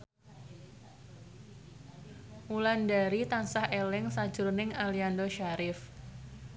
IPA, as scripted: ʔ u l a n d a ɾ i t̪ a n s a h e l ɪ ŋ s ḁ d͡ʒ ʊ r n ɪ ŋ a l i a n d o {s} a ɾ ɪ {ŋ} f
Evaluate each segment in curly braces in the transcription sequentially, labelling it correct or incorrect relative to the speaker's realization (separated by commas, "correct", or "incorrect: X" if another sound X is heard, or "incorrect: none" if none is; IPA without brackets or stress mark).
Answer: incorrect: ʃ, incorrect: none